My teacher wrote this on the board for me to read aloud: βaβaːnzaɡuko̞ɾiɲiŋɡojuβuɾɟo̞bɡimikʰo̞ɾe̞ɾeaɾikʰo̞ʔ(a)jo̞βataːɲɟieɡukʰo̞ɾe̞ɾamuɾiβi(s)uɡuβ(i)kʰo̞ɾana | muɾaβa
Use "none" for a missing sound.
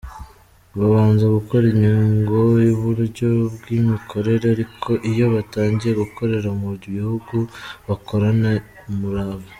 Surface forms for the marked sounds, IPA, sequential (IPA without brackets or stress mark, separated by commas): i, h, a